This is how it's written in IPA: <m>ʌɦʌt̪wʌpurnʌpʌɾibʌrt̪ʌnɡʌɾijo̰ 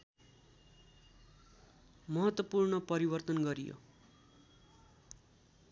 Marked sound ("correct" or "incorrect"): correct